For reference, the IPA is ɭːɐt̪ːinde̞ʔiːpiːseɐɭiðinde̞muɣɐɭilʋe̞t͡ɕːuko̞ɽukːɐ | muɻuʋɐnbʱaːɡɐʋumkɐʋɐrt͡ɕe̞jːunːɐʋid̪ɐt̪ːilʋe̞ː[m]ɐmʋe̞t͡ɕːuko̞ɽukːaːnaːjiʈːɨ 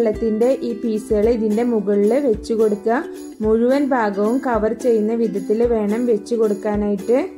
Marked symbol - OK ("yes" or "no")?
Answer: no